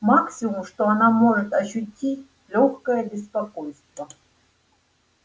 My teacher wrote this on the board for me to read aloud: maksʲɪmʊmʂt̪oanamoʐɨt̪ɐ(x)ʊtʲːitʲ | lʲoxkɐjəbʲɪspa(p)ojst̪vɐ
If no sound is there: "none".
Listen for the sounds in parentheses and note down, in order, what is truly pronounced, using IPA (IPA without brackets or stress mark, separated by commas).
ɕ, k